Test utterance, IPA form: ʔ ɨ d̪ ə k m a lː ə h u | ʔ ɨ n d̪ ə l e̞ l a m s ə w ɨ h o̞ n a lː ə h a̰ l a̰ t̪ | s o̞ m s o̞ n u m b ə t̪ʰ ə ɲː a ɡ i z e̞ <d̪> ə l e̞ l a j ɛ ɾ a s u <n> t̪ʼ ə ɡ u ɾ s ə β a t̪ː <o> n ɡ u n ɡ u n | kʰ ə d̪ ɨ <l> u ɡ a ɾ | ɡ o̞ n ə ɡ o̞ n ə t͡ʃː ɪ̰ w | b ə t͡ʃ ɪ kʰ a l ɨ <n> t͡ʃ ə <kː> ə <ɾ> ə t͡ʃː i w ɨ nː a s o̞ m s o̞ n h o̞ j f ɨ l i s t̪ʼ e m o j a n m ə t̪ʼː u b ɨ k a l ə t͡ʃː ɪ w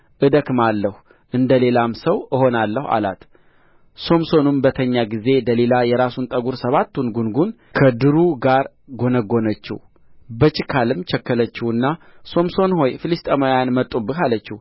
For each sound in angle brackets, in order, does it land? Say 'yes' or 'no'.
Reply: yes, yes, no, no, no, yes, no

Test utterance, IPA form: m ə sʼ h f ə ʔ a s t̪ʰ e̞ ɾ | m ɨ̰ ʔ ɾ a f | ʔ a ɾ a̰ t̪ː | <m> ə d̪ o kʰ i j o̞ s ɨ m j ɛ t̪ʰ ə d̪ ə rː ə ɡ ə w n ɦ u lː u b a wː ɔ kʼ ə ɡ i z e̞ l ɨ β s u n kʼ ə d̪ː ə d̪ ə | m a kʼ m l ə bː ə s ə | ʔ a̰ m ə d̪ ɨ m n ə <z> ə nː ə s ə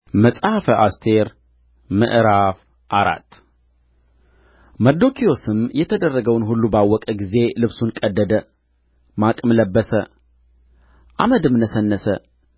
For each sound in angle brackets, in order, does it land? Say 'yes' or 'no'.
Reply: yes, no

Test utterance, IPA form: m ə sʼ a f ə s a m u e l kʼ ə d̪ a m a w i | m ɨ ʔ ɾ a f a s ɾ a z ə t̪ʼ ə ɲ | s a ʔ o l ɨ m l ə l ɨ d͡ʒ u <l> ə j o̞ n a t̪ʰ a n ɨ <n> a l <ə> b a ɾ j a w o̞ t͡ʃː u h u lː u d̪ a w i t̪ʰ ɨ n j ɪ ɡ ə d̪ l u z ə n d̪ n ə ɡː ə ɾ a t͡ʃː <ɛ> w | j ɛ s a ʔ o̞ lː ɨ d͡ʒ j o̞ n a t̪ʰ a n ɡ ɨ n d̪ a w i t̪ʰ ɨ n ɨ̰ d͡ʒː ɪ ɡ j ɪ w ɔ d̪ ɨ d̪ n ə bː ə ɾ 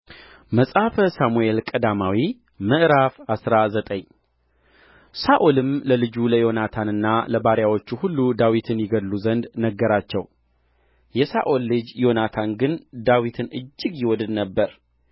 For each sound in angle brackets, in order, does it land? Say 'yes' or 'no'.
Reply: yes, no, yes, yes

